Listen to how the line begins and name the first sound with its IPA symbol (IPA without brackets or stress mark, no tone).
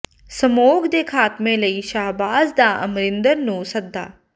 s